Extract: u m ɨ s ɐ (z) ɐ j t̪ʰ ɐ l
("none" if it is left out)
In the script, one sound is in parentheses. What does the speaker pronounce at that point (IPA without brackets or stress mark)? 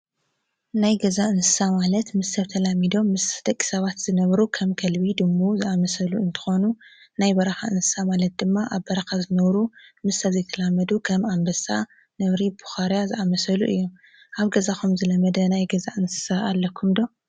z